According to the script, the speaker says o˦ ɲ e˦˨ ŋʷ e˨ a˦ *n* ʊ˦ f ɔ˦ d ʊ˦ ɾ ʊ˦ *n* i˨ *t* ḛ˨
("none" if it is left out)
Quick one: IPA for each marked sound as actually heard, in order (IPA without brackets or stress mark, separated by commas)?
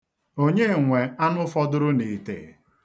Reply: n, n, t